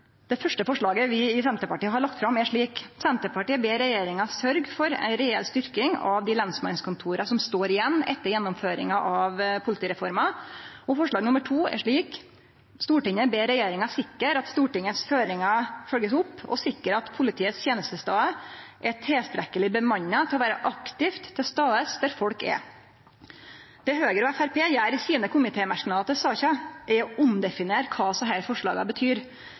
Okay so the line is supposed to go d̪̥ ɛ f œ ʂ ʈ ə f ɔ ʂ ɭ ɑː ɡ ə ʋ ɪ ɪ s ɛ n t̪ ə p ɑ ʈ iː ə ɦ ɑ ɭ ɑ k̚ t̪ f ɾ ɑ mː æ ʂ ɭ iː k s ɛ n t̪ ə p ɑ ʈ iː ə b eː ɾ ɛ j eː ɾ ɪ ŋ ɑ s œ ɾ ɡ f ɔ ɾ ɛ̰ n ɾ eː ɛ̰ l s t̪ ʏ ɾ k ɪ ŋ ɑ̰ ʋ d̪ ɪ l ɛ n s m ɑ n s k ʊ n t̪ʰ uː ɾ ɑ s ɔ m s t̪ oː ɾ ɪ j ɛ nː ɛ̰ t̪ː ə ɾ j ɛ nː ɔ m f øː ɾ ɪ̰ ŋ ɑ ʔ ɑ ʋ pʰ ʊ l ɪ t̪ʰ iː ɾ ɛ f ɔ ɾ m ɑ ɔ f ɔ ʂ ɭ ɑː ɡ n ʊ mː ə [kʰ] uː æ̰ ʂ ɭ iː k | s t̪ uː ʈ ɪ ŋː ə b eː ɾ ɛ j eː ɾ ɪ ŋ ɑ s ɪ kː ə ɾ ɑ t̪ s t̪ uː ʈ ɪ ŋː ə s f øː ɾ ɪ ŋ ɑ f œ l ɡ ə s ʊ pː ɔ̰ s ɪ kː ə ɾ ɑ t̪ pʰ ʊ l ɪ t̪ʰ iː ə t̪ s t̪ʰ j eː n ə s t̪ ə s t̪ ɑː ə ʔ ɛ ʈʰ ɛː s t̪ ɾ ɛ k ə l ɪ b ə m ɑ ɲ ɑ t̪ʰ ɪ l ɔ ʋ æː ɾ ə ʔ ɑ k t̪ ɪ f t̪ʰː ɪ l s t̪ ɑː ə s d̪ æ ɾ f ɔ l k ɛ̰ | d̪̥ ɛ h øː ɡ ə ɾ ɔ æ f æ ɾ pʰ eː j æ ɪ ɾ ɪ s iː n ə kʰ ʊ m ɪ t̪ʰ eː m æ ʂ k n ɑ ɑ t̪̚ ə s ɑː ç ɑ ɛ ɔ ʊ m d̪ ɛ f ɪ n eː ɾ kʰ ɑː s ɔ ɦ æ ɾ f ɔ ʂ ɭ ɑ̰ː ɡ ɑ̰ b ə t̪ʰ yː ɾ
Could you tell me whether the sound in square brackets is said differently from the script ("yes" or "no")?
yes